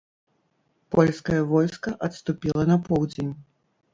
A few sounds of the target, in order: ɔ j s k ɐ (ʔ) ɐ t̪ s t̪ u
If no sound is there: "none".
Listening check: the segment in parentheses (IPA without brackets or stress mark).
ʔ